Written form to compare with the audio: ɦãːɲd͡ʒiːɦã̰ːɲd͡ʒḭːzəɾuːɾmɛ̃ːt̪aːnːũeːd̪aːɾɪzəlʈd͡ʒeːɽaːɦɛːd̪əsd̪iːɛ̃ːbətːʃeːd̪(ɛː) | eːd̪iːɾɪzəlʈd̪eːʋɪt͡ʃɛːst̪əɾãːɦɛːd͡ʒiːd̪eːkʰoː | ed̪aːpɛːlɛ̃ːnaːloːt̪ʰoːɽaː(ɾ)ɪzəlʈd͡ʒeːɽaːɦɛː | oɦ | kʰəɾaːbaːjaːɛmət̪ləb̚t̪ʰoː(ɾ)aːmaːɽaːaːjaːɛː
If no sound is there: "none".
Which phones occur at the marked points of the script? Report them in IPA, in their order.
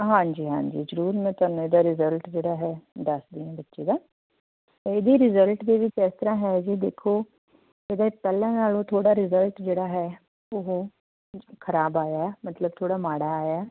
aː, ɾ, ɽ

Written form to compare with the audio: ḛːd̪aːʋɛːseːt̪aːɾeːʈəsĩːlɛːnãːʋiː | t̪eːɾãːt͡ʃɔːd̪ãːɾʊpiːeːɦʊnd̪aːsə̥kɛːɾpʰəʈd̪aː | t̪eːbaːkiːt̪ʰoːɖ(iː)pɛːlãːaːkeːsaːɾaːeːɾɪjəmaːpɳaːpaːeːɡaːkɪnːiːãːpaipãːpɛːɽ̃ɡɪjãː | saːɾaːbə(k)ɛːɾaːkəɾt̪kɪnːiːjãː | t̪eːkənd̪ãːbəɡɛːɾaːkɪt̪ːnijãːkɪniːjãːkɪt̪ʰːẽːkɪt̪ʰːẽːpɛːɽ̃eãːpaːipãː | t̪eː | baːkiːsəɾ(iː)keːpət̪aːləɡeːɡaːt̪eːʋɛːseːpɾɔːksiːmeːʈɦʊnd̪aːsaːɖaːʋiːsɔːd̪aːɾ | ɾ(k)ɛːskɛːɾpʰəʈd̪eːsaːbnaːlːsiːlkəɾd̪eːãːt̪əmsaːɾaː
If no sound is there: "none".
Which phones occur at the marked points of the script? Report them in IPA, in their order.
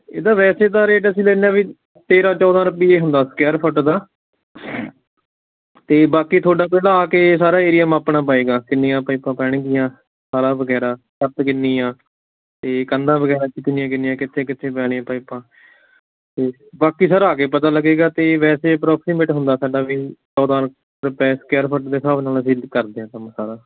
aː, ɡ, aː, p

